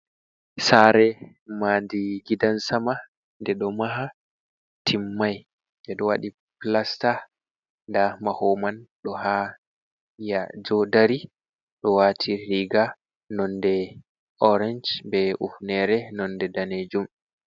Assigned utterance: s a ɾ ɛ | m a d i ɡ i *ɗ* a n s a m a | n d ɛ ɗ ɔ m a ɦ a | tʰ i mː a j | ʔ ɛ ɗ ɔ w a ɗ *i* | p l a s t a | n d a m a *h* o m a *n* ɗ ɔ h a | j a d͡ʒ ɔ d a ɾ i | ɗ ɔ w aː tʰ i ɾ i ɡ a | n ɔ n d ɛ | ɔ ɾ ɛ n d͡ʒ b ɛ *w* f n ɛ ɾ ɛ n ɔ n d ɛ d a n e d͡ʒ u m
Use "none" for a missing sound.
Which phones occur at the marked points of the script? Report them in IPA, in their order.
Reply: d, i, h, n, u

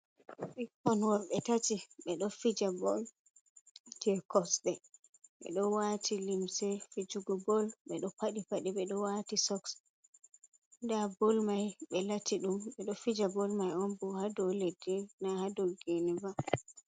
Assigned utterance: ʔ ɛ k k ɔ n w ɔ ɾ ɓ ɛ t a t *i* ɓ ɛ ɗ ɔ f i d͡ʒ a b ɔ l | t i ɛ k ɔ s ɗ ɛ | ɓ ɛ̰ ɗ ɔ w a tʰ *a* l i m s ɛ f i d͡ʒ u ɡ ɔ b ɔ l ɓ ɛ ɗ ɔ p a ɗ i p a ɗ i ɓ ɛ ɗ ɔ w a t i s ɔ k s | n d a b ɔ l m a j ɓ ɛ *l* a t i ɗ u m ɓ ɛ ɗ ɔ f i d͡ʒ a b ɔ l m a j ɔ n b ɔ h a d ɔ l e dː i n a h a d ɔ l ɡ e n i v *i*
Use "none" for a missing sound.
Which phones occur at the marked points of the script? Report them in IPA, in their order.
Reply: i, i, l, a

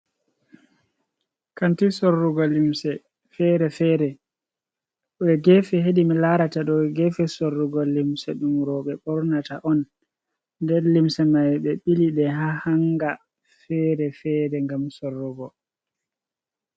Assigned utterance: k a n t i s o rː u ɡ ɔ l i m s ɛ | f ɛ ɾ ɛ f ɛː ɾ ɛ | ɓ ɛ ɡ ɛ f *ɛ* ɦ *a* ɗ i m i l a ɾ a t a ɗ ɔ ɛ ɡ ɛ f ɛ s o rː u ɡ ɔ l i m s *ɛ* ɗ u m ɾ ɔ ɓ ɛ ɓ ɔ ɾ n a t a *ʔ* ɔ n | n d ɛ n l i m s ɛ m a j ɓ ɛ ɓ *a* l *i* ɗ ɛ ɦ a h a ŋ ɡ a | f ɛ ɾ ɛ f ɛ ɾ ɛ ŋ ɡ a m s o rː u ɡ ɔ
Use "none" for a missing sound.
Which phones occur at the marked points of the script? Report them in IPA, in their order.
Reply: ɛ, e, ɛ, ʔ, i, i

